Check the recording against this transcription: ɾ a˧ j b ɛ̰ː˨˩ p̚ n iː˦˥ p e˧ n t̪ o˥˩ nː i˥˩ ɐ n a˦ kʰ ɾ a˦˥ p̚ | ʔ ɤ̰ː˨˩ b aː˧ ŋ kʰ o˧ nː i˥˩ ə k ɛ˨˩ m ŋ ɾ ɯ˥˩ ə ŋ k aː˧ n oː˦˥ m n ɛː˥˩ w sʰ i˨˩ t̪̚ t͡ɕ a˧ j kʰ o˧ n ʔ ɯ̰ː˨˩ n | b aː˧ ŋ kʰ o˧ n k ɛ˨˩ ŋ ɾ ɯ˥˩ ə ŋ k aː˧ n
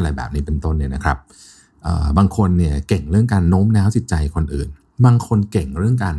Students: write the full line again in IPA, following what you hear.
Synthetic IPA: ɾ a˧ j b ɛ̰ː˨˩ p̚ n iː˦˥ p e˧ n t̪ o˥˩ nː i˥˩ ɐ n a˦ kʰ ɾ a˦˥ p̚ | ʔ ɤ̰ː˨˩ b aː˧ ŋ kʰ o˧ nː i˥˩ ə k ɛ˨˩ ŋ ɾ ɯ˥˩ ə ŋ k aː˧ nː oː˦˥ m n ɛː˦˥ w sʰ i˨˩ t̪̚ t͡ɕ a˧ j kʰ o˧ n ʔ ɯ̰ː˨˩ n | b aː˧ ŋ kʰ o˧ n k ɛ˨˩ ŋ ɾ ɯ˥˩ ə ŋ k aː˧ n